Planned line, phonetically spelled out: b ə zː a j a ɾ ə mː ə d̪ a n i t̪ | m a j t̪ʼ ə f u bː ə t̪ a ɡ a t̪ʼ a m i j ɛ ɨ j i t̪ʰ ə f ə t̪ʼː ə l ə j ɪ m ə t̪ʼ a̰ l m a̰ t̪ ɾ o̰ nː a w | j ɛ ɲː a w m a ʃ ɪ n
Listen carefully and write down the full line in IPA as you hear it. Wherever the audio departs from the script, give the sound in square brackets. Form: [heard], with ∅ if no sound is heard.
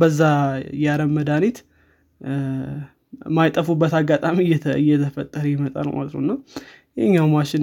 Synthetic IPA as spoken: b ə zː a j a ɾ ə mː ə d̪ a n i t̪ | m a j t̪ʼ ə f u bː ə t̪ a ɡ a t̪ʼ a m i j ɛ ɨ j [ɛ] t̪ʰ ə f ə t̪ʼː ə [ɾ] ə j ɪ m ə t̪ʼ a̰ l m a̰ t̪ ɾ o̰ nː a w | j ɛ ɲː a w m a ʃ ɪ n